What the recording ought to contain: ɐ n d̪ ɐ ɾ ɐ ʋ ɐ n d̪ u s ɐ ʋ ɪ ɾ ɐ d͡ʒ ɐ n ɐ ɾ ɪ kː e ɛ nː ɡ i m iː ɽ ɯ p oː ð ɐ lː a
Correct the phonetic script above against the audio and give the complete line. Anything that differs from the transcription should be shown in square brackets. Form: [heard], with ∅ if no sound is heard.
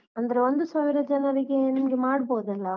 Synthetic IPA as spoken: ɐ n d̪ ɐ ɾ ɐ ʋ ɐ n d̪ [ɯ] s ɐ ʋ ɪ ɾ ɐ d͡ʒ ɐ n ɐ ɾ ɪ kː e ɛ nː ɡ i m [aː] ɽ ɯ p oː ð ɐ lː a